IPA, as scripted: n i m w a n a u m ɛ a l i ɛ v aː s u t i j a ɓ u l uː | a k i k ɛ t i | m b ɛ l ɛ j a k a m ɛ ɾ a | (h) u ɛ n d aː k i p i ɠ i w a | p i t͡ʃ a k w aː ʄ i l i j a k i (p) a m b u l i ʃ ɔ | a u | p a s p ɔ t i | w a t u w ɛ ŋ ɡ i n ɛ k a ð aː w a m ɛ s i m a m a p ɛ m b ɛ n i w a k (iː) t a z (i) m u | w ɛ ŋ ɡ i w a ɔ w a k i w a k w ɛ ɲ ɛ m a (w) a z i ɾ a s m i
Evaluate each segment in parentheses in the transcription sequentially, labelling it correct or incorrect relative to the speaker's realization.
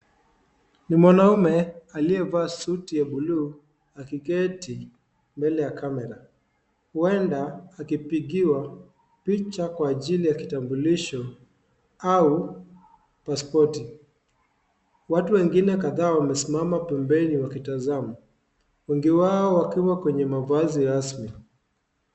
correct, incorrect, incorrect, incorrect, incorrect

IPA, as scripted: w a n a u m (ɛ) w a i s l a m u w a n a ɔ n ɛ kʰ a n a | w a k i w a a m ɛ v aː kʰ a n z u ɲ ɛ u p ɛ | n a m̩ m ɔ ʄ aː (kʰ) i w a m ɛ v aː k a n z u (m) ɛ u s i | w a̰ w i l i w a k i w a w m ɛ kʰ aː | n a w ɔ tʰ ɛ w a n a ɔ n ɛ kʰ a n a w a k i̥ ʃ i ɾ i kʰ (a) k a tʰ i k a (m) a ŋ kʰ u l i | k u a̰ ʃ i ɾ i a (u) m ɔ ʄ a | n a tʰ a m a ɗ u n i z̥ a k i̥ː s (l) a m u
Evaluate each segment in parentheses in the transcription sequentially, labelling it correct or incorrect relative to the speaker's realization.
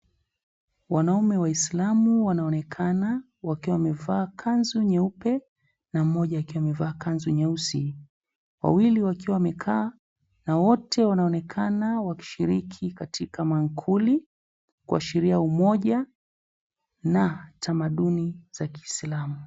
correct, incorrect, incorrect, incorrect, correct, correct, correct

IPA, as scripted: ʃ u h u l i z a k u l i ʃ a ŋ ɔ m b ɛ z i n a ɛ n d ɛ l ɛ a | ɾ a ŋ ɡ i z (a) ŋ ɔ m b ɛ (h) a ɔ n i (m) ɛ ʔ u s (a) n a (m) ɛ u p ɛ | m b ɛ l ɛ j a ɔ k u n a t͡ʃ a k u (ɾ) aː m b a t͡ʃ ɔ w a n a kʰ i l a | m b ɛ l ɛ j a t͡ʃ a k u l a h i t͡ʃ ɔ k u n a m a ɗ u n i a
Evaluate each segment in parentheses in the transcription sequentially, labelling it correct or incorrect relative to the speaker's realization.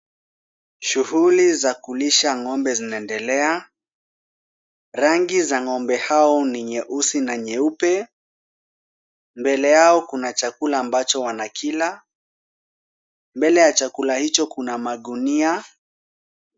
correct, correct, incorrect, incorrect, incorrect, incorrect

